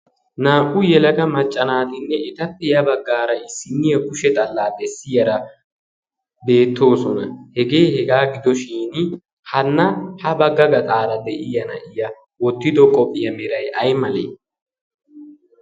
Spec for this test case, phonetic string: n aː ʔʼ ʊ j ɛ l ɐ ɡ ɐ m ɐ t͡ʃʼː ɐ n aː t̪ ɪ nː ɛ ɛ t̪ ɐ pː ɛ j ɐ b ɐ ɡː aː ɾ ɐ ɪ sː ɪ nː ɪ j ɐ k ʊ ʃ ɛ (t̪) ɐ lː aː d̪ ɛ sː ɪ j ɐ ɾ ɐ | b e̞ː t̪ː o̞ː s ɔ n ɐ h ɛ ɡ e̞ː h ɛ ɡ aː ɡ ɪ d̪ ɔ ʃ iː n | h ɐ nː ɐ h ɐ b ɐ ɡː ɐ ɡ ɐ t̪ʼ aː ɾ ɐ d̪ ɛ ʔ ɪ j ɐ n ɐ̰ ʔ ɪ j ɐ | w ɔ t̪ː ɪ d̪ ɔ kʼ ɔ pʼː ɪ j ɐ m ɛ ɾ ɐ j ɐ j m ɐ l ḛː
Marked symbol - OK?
no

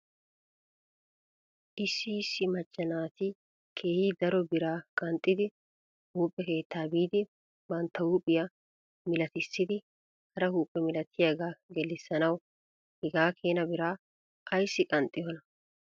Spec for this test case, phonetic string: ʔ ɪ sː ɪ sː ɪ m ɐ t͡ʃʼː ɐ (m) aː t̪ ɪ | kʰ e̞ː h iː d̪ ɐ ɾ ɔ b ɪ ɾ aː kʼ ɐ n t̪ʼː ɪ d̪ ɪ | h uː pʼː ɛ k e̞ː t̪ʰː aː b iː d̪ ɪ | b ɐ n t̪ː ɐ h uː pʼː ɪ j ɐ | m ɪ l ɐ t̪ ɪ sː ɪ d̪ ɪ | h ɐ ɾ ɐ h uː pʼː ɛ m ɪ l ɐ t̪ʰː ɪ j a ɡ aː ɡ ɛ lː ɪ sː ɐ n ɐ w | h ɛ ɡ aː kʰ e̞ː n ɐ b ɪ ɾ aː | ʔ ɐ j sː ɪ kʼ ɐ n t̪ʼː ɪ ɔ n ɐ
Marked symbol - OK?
no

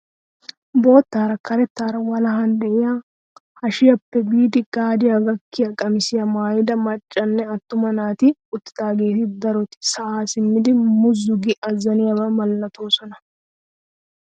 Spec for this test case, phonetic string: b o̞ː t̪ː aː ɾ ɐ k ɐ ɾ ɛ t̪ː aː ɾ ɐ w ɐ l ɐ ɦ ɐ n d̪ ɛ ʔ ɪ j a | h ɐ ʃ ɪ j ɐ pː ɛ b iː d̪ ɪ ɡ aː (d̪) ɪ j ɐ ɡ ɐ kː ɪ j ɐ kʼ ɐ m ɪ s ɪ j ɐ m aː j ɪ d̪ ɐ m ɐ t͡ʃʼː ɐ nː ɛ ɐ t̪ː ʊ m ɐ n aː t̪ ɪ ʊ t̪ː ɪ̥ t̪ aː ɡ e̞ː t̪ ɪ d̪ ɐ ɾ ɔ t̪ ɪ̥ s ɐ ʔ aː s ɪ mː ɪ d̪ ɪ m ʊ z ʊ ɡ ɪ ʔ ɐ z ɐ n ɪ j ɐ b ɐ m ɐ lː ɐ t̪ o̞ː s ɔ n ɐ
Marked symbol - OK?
yes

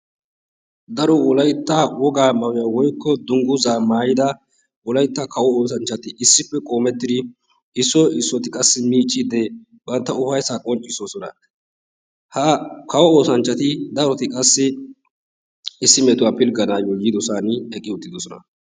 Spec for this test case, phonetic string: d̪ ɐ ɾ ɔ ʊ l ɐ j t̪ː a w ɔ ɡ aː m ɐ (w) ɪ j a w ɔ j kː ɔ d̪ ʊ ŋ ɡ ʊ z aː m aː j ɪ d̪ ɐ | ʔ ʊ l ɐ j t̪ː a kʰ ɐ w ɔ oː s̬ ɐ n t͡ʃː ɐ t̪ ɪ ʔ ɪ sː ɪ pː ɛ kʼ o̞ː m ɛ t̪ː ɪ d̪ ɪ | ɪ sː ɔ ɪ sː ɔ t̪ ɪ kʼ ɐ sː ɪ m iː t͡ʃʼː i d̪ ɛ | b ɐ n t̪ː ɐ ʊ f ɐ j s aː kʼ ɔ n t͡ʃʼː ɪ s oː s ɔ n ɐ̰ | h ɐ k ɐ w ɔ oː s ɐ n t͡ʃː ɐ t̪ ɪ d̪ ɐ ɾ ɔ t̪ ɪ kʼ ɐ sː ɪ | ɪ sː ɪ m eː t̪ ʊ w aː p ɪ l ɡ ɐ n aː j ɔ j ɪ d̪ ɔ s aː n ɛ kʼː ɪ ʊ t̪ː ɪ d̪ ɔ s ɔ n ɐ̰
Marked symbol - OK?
yes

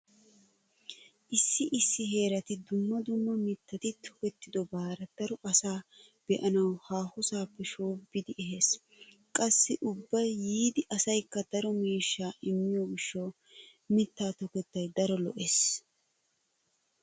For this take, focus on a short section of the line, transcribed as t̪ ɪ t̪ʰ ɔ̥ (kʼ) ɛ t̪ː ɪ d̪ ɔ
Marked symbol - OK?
no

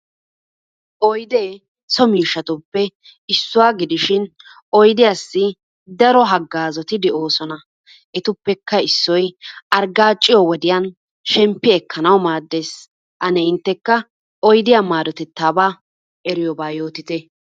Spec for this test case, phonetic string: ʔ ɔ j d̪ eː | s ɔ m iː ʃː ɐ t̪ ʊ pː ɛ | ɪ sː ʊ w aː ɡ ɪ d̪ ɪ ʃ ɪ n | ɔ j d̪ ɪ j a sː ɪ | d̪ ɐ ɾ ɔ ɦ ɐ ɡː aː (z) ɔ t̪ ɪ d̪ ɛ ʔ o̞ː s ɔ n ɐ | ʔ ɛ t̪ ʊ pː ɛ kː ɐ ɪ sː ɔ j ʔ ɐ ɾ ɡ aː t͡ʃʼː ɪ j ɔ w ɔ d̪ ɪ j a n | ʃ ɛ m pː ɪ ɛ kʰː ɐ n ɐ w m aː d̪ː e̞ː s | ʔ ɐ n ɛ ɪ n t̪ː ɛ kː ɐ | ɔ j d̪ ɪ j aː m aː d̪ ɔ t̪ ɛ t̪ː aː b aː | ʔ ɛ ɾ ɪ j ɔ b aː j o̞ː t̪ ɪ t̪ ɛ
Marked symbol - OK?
yes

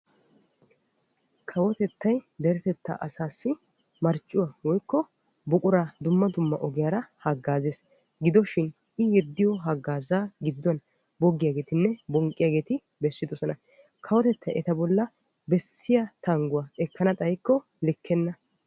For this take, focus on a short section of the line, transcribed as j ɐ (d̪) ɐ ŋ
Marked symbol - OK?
no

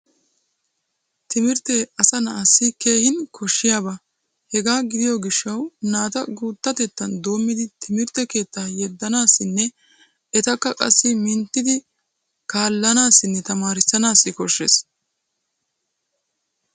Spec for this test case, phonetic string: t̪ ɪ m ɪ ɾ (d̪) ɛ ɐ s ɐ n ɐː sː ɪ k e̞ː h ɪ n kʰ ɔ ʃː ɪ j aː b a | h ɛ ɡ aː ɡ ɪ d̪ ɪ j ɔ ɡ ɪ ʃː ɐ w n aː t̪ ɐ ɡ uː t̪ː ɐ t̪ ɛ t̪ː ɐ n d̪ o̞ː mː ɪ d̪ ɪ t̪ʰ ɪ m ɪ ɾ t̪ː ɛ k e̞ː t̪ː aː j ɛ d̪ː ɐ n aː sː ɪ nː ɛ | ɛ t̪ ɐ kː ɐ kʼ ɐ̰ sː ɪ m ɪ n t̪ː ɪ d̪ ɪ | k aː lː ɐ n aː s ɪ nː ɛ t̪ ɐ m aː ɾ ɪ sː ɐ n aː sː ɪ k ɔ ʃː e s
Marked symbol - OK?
no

